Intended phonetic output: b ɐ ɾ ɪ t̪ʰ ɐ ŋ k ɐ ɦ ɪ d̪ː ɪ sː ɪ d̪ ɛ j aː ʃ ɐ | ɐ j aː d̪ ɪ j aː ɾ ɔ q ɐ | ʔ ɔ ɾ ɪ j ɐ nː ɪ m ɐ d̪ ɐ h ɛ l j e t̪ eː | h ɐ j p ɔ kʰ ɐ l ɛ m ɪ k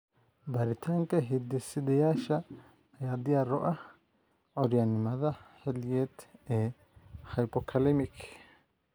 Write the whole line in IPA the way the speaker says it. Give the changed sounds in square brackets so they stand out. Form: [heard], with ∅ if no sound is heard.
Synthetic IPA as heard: b ɐ ɾ ɪ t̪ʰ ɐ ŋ k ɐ ɦ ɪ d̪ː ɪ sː ɪ d̪ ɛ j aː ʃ ɐ | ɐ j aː d̪ ɪ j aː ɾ ɔ [ʔ] ɐ | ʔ ɔ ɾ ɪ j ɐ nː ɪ m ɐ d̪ ɐ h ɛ l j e t̪ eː | h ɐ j p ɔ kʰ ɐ l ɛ m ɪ k